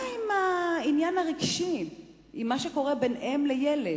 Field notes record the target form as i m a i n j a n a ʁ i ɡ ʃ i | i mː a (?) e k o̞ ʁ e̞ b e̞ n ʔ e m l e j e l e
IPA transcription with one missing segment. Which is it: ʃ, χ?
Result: ʃ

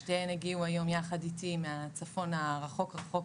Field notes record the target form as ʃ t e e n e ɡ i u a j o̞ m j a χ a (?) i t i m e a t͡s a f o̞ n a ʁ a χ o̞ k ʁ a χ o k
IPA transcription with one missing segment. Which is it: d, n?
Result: d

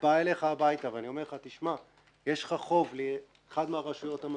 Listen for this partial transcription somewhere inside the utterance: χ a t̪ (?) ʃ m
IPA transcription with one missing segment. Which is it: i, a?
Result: i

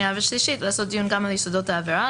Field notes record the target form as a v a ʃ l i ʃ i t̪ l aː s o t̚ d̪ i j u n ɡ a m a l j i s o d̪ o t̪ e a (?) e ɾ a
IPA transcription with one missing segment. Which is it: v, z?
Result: v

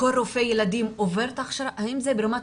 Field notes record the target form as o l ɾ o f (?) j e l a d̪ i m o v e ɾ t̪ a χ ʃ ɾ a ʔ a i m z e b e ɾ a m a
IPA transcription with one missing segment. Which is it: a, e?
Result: e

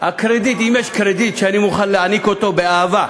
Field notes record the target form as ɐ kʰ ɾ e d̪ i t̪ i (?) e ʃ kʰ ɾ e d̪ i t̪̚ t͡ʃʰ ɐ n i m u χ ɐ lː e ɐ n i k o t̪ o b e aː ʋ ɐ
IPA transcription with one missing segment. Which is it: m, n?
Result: m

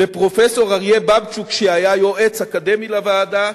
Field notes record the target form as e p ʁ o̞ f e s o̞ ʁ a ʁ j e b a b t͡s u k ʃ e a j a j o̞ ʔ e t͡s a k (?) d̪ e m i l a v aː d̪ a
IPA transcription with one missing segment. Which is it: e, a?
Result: a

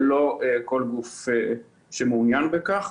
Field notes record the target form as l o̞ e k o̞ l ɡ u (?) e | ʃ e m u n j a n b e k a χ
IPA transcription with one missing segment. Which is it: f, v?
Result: f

